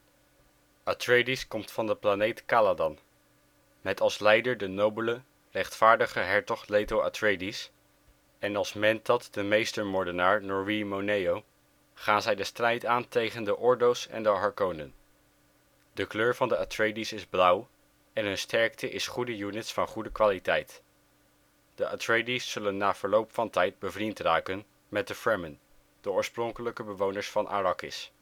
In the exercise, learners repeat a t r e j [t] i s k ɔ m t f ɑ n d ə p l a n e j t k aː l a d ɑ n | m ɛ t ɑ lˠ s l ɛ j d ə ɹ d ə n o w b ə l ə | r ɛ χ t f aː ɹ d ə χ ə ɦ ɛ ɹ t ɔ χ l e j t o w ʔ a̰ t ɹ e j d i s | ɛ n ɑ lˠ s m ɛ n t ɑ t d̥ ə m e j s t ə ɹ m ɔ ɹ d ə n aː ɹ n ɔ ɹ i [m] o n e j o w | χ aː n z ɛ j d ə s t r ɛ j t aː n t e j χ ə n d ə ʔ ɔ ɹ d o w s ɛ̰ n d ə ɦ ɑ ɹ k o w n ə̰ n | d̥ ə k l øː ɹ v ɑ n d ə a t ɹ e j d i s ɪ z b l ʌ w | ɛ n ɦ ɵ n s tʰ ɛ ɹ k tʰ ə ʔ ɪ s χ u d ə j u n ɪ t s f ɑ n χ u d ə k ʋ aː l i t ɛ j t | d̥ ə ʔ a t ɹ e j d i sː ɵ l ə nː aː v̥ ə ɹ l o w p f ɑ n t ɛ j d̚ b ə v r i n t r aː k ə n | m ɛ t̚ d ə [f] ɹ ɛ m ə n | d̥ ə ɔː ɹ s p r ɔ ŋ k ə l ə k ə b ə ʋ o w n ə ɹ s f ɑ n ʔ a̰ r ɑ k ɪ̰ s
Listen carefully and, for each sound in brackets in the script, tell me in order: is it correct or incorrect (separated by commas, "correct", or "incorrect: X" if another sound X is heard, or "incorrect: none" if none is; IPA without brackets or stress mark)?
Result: incorrect: d, correct, correct